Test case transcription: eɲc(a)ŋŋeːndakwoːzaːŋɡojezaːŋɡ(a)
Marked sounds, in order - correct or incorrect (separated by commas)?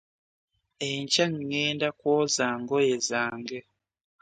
correct, incorrect